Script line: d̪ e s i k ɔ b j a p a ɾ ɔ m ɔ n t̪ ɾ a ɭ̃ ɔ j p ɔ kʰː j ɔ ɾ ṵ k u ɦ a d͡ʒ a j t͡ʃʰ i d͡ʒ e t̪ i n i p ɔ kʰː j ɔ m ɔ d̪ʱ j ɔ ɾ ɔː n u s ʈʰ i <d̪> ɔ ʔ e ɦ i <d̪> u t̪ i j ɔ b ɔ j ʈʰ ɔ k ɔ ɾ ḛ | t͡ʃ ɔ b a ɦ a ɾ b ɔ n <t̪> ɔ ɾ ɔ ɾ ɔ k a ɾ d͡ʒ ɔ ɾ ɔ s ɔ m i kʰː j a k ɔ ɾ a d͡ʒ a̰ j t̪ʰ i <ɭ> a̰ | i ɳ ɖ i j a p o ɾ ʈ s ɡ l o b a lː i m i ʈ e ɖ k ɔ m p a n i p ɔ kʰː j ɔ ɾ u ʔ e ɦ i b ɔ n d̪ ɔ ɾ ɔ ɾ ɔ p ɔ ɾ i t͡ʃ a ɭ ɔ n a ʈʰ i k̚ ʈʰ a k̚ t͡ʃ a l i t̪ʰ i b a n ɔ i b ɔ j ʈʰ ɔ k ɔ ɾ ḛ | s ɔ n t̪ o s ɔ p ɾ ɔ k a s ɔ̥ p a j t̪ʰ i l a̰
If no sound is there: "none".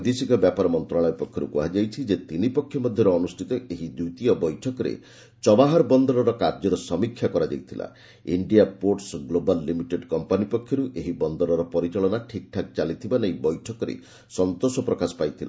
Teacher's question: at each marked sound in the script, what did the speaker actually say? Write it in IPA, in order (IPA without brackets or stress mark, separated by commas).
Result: t̪, d̪, d̪, l